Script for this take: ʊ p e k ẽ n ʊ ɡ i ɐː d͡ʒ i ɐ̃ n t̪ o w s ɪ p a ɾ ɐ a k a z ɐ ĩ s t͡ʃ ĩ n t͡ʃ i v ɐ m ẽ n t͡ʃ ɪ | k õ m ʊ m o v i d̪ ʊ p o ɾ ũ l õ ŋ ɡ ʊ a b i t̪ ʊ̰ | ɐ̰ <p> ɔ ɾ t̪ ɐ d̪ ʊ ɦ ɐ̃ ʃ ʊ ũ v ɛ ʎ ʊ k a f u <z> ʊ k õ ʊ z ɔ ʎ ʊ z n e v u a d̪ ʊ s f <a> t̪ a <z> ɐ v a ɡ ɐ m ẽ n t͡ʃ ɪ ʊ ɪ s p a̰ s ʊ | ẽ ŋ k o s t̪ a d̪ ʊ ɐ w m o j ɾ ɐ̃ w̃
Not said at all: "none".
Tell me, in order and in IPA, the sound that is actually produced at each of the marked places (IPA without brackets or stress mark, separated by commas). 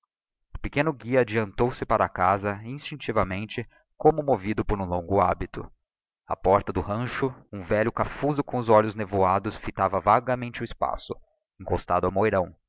p, z, i, v